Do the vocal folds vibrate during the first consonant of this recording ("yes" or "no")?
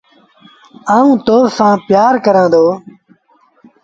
no